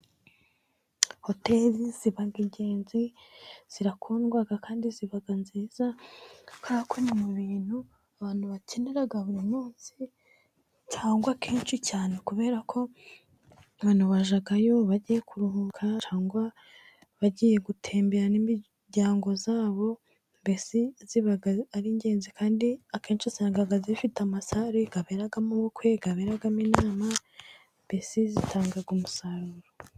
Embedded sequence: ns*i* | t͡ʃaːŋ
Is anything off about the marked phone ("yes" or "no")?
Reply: no